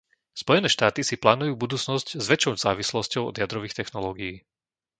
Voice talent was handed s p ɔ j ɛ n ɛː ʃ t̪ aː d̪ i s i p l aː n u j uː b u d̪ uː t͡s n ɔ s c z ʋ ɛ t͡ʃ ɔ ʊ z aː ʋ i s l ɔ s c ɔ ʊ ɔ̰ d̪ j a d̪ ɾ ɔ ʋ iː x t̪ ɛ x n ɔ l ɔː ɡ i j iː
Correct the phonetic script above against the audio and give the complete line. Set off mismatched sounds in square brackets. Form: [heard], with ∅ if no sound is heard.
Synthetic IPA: s p ɔ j ɛ n ɛː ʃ t̪ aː [t̪] i s i p l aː n u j uː b u d̪ uː t͡s n ɔ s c z ʋ ɛ t͡ʃ ɔ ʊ z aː ʋ i s l ɔ s c ɔ ʊ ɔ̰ d̪ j a d̪ ɾ ɔ ʋ iː x t̪ ɛ x n ɔ l ɔː ɡ i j iː